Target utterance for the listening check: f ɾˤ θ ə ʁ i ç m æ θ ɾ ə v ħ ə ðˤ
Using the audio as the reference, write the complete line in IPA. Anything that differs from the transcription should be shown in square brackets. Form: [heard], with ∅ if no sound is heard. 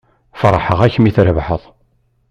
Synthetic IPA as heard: f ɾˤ [ħ] ə ʁ [æ] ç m [i] θ ɾ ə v ħ ə ðˤ